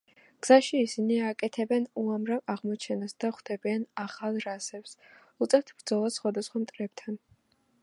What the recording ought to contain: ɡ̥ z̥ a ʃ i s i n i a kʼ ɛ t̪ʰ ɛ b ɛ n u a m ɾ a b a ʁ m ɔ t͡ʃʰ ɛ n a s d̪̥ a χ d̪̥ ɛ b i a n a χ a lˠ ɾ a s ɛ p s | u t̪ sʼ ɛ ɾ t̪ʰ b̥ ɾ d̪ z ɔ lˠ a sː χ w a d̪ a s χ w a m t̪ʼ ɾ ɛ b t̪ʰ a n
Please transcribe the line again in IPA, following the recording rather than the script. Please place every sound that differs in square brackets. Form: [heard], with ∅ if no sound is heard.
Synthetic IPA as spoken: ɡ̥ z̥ a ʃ [iː] s i n i a kʼ ɛ t̪ʰ ɛ b ɛ n u a m ɾ a [v] a ʁ m ɔ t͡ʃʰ ɛ n a s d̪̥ a χ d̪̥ ɛ b i a n a χ a lˠ ɾ a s ɛ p s | u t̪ sʼ ɛ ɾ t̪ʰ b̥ ɾ d̪ z ɔ lˠ a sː χ w a d̪ a s χ w a m t̪ʼ ɾ ɛ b t̪ʰ a n